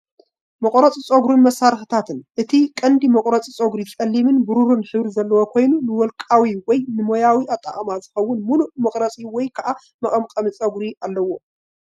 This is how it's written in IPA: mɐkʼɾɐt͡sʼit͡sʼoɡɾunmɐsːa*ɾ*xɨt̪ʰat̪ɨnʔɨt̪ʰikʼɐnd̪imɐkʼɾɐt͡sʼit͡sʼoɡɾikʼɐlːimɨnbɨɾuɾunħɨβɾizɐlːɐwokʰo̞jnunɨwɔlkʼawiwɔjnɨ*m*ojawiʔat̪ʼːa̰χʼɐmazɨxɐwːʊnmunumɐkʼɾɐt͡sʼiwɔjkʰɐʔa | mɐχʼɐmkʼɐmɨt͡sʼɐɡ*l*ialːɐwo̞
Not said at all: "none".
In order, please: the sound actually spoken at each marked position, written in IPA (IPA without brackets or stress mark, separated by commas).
ɾ, m, ɾ